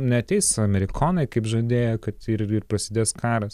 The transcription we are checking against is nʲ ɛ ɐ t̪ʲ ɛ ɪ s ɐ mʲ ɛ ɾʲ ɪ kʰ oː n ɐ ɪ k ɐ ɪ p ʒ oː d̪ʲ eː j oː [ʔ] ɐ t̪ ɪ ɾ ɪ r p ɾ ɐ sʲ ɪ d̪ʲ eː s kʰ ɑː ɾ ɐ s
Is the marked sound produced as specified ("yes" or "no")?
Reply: no